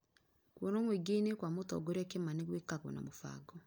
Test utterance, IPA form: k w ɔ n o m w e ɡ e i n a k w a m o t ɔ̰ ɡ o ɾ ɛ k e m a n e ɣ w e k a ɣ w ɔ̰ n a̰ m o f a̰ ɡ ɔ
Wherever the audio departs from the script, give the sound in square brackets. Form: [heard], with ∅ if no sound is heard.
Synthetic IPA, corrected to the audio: k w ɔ n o m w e ɡ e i n [e] k w a m o t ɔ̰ ɡ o ɾ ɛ k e m a n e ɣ w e k a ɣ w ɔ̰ n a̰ m o f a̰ ɡ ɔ